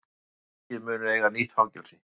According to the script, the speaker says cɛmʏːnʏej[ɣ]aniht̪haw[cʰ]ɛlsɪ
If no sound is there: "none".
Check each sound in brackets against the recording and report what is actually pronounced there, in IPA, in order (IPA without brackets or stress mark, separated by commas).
ɣ, c